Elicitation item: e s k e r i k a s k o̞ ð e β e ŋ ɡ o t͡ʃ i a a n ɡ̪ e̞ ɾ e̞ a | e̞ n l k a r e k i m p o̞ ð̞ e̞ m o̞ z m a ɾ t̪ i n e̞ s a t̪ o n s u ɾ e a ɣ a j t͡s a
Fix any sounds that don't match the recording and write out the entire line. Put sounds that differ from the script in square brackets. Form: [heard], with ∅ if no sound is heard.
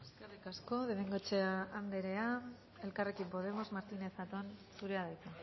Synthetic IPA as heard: e s k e r i k a s k o̞ ð e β e ŋ ɡ o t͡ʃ [e] a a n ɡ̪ e̞ ɾ e̞ a | e̞ [∅] l k a r e k i m p o̞ ð̞ e̞ m o̞ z m a ɾ t̪ i n e̞ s a t̪ o n s u ɾ e a [ð] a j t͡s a